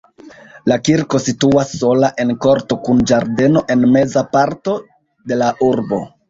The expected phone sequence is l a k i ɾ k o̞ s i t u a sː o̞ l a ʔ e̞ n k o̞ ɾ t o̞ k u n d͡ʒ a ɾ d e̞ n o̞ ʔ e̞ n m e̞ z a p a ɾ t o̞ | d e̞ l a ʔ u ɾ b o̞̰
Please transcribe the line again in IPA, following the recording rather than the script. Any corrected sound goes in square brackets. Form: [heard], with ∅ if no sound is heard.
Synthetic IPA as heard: l a k i ɾ k o̞ s i t u a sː o̞ l a ʔ e̞ n k o̞ ɾ t o̞ k u n d͡ʒ a ɾ d e̞ n o̞ ʔ e̞ n m e̞ z a p a ɾ t o̞ | d e̞ l a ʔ u ɾ b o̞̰